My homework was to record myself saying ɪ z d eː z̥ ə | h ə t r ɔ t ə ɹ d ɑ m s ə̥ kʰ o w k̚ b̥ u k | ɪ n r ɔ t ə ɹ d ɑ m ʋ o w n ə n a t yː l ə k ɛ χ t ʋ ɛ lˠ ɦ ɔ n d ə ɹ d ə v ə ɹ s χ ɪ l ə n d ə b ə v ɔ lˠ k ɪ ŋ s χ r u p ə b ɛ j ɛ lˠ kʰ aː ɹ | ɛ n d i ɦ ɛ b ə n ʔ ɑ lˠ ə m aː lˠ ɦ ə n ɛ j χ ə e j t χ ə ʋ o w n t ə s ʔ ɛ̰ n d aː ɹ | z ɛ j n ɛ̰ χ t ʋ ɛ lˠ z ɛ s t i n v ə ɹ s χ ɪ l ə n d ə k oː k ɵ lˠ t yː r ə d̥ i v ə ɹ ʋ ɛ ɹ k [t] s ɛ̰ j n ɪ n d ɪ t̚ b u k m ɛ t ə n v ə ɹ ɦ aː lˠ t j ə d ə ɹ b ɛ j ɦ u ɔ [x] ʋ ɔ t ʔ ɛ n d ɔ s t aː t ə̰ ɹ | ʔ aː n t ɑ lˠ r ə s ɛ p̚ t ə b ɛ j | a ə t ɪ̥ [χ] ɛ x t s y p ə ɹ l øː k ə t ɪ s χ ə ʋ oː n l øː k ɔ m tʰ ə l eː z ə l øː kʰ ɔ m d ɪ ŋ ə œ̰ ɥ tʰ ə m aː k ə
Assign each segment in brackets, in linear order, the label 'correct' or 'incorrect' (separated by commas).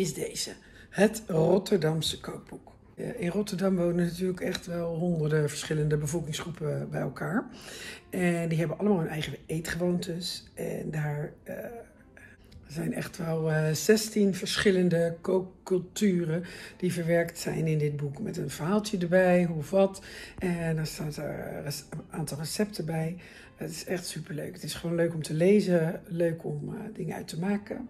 correct, incorrect, incorrect